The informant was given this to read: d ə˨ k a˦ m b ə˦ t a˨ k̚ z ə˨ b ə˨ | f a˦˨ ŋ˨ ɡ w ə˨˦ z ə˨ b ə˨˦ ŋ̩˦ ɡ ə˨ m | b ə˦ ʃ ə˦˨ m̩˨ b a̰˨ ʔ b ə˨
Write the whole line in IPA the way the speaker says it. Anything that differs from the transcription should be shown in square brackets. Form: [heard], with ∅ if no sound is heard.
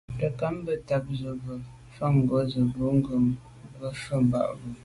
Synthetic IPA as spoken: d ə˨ k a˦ m b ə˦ t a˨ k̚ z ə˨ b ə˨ | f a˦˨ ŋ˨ ɡ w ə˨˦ z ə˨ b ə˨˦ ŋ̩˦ ɡ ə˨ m | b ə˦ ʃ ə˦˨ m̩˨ b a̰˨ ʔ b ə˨

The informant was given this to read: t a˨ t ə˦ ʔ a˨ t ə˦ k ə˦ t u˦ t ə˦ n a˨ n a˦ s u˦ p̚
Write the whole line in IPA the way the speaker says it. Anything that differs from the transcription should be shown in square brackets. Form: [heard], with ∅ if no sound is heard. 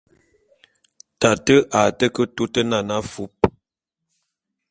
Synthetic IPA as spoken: t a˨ t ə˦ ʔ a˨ t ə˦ k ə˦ t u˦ t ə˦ n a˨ n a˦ [f] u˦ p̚

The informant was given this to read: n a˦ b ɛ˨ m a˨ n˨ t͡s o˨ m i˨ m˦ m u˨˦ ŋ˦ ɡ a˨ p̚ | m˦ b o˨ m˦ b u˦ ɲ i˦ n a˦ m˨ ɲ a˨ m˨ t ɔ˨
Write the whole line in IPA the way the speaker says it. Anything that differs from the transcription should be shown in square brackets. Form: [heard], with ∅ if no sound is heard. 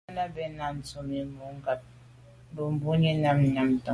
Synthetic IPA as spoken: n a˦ b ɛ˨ [n] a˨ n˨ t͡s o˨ m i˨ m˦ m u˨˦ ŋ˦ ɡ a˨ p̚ | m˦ b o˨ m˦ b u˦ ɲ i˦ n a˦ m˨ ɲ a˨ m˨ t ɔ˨

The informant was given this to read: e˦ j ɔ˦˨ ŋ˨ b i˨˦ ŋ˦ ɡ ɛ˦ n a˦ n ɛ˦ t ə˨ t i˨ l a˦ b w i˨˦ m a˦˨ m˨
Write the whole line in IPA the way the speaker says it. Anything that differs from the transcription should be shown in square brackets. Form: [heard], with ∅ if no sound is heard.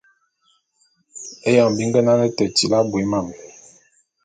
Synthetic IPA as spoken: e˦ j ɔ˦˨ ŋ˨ b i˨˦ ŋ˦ ɡ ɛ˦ n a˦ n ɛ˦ t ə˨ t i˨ l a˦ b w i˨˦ m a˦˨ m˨

